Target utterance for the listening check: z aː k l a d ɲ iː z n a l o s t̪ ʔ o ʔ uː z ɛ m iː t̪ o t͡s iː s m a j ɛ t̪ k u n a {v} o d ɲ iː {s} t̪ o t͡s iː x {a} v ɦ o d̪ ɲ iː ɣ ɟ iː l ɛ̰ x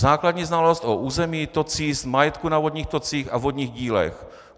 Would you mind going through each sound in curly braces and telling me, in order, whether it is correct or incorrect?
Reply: correct, incorrect: x, correct

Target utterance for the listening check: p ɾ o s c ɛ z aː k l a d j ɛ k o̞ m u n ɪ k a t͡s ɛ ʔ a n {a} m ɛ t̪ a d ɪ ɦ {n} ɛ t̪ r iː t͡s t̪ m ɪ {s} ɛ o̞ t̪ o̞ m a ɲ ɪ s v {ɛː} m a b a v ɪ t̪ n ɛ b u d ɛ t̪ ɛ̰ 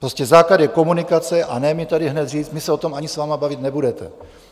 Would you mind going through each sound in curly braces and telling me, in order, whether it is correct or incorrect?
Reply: incorrect: ɛ, correct, correct, incorrect: aː

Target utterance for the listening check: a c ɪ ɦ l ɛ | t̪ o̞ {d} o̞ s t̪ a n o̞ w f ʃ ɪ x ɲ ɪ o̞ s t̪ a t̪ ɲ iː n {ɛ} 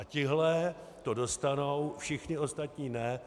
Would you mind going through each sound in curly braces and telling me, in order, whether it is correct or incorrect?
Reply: correct, correct

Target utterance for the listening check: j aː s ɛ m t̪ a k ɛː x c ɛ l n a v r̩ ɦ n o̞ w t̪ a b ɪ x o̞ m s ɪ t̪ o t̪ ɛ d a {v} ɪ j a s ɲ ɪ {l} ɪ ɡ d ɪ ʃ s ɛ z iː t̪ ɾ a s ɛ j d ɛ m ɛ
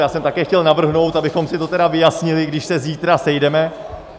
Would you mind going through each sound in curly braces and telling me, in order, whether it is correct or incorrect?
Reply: correct, correct

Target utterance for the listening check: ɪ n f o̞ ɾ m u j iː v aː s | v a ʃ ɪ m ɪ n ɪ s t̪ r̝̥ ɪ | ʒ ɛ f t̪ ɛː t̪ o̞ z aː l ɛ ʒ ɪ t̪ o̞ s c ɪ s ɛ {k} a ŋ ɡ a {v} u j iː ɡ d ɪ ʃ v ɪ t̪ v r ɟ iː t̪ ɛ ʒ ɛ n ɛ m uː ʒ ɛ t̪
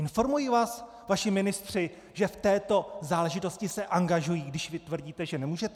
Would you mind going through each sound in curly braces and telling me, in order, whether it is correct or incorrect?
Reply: incorrect: ʔ, incorrect: ʒ

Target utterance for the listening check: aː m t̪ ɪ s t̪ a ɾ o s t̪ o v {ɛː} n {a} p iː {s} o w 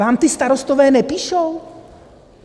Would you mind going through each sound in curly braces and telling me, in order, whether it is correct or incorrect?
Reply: correct, incorrect: ɛ, incorrect: ʃ

